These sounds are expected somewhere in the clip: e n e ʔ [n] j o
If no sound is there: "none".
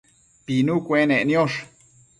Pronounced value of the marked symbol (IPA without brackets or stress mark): n